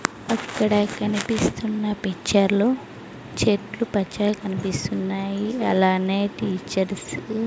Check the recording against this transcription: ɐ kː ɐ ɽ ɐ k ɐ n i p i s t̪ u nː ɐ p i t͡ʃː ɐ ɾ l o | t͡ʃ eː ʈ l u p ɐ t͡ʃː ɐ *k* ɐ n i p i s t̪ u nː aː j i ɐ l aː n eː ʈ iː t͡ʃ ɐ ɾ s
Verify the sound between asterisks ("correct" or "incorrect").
correct